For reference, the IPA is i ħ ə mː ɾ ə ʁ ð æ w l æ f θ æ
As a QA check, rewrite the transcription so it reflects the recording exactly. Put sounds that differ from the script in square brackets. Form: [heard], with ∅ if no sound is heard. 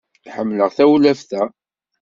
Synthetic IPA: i ħ ə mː [l] ə ʁ [θ] æ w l æ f θ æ

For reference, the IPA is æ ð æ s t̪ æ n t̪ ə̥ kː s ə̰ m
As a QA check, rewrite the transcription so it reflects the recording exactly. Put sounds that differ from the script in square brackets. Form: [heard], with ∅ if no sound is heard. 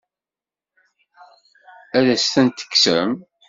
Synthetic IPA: æ ð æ s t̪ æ n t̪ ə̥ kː s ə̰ m

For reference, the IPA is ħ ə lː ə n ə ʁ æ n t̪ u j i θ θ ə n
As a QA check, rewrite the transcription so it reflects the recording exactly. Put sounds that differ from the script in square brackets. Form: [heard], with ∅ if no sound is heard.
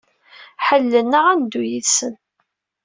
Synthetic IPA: ħ ə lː ə n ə ʁ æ n [d̪] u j i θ [s] ə n

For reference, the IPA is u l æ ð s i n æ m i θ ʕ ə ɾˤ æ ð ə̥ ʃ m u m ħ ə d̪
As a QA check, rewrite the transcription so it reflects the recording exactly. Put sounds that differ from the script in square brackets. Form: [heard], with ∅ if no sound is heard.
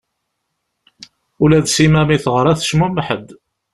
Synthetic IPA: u l æ ð s i [m] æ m i θ [ʁ] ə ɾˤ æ [θ] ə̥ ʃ m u m ħ ə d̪

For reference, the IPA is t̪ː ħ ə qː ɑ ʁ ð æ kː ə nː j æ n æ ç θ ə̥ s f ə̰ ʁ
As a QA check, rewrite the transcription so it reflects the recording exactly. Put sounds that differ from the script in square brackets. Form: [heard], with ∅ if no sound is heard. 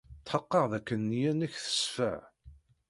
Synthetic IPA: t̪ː ħ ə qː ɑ ʁ ð æ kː ə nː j æ n æ ç θ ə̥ s f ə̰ [ʕ]

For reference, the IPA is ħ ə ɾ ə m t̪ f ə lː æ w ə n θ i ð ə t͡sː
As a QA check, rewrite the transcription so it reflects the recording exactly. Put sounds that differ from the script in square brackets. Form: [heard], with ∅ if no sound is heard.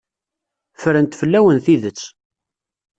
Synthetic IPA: [f] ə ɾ ə [n] t̪ f ə lː æ w ə n θ i ð ə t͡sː

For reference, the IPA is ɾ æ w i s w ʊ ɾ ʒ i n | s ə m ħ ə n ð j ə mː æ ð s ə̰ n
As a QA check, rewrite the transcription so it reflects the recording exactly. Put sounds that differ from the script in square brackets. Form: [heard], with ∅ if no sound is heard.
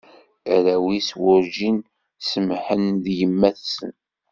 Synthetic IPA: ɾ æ w i s w ʊ ɾ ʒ i n | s ə m ħ ə n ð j ə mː æ [θ] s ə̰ n

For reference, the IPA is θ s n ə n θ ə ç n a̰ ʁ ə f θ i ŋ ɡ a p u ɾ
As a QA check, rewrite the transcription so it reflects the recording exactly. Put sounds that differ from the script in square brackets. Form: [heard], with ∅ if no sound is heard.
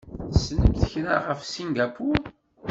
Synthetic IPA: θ s n ə [m] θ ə ç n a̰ ʁ ə f [s] i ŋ ɡ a p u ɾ

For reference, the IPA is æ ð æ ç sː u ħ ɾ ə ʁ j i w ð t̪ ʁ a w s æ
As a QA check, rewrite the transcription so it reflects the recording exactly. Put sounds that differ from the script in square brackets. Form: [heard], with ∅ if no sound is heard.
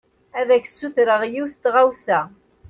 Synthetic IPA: æ ð æ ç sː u [θ] ɾ ə ʁ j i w [θ] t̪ ʁ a w s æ

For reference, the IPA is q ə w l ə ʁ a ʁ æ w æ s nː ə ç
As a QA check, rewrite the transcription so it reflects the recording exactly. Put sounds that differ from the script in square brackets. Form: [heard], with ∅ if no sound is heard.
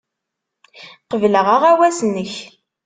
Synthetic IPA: q ə [v] l ə ʁ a ʁ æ w æ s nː ə ç

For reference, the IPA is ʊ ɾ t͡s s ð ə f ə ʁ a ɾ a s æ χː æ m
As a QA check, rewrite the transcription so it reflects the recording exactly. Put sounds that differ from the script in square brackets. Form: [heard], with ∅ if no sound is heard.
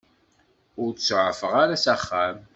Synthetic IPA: ʊ ɾ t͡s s [ʕ] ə f ə ʁ a ɾ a s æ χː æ m

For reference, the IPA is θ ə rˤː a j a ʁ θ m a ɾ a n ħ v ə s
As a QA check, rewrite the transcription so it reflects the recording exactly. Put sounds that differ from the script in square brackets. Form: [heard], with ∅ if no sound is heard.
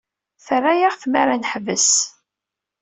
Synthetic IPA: θ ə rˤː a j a ʁ θ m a ɾ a n ħ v ə s

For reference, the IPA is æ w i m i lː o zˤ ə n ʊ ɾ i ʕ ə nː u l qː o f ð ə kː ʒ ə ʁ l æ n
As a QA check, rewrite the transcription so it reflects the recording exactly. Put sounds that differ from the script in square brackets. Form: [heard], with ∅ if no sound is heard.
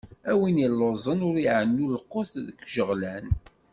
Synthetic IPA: æ w i [n] i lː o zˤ ə n ʊ ɾ i ʕ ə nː u l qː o [θ] ð ə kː ʒ ə ʁ l æ n

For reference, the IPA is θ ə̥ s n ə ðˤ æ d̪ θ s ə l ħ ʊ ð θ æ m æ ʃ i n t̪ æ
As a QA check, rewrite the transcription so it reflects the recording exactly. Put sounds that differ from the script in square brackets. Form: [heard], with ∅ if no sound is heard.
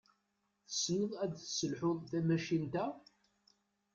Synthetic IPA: θ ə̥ s n ə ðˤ æ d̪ θ s ə l ħ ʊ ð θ æ m æ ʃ i n t̪ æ

